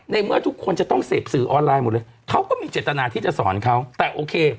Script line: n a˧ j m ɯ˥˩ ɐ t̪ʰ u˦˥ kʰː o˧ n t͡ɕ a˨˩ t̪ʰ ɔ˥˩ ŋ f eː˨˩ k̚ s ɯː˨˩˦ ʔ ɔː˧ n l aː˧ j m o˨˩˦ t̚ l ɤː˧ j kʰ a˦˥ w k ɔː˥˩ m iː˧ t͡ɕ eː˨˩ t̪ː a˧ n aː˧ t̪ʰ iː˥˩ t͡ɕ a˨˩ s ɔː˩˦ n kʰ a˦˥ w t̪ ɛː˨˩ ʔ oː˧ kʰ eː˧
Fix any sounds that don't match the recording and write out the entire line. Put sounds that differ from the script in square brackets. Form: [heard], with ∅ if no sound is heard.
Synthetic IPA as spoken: n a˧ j m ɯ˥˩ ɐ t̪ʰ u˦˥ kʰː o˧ n t͡ɕ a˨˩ [t̪] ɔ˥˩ ŋ [s] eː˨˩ [p̚] s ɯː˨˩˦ ʔ ɔː˧ n l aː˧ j m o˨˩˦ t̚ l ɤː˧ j kʰ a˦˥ w k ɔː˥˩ m iː˧ t͡ɕ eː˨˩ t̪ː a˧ n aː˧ t̪ʰ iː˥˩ t͡ɕ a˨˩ s ɔː˩˦ n kʰ a˦˥ w t̪ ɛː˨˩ ʔ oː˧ kʰ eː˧